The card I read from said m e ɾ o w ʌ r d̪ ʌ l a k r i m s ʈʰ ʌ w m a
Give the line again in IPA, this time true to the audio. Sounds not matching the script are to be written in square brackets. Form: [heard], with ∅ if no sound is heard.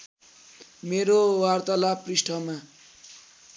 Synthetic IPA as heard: m e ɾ o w [a] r [t̪] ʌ l a [p] r i [∅] s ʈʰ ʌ [∅] m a